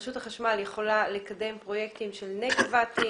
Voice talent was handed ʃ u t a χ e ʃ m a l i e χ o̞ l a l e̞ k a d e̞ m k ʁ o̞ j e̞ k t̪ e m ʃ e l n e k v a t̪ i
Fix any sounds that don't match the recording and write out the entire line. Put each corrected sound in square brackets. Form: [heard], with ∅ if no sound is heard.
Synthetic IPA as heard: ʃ u t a χ [a] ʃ m a l [j] e χ o̞ l a l e̞ k a d e̞ m [p] ʁ o̞ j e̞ k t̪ [i] m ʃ e l n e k v a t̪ i